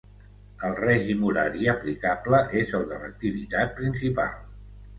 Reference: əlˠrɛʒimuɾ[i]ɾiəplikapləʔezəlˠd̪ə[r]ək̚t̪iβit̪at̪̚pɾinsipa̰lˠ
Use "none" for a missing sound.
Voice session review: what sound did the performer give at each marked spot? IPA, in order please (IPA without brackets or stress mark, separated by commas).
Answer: a, l